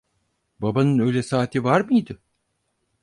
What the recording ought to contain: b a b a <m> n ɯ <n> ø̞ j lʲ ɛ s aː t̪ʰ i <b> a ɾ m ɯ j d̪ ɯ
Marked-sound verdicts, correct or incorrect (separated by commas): incorrect, correct, incorrect